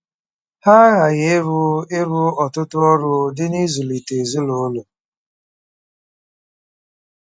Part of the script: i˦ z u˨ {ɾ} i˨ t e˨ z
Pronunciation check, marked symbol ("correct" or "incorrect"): incorrect